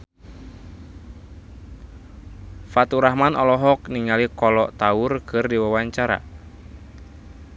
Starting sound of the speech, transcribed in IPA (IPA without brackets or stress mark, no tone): f